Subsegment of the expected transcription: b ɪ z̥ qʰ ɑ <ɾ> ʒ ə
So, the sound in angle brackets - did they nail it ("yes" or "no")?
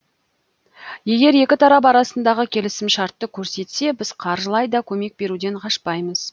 yes